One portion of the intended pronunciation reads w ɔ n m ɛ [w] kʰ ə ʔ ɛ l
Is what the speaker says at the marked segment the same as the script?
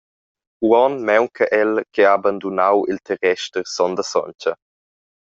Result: yes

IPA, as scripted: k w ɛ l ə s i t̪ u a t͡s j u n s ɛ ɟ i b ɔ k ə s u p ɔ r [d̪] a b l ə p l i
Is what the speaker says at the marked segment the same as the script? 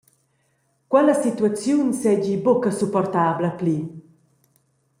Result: no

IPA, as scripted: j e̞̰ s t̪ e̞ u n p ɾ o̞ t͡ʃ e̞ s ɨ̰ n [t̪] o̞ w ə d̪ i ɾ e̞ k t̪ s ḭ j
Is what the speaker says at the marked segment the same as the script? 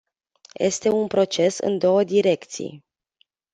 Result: no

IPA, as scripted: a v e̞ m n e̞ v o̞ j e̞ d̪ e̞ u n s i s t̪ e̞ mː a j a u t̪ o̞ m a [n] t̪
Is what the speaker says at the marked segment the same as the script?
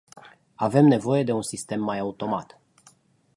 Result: no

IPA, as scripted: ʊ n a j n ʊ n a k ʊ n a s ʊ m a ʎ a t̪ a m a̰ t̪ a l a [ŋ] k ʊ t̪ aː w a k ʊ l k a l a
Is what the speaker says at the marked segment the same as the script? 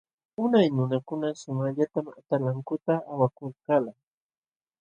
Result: yes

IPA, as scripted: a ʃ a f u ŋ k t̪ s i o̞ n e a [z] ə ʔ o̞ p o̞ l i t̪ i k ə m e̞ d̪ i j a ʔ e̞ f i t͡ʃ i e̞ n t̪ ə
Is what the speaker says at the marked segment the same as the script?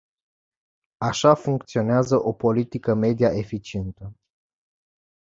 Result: yes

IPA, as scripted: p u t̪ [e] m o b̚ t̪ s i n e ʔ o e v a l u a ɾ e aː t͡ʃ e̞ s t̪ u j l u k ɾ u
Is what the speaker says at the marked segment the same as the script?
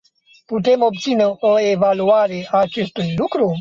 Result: yes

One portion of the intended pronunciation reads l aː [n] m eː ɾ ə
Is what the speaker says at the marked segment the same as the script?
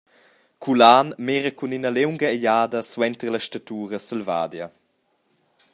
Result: yes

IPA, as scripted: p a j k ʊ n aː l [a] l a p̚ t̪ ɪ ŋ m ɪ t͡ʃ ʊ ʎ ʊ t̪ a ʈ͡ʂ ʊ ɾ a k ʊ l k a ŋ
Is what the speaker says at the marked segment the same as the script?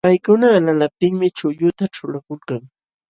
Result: yes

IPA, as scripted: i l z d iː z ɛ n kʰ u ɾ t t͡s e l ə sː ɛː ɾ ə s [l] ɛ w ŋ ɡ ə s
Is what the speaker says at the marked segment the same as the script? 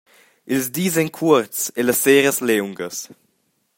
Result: yes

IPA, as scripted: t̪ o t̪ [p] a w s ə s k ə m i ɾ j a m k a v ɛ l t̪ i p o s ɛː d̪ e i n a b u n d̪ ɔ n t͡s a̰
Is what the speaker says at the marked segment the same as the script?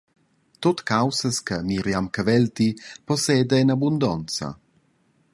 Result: no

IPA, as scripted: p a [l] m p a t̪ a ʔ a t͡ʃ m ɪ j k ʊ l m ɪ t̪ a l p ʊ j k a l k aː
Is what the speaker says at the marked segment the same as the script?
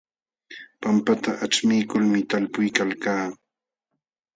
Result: no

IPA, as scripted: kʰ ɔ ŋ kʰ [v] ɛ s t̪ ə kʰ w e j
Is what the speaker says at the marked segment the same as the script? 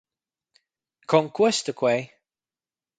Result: no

